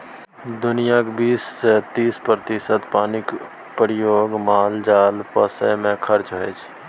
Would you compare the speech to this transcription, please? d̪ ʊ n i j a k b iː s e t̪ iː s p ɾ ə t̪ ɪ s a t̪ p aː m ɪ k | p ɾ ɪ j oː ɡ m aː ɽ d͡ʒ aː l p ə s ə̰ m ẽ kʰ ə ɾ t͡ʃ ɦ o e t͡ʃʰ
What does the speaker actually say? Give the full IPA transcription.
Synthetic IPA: d̪ ʊ n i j a k b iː s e t̪ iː s p ɾ ə t̪ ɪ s ə t̪ p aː n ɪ k | p ɾ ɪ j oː ɡ m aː l d͡ʒ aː l p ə s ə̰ m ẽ kʰ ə ɾ t͡ʃ ɦ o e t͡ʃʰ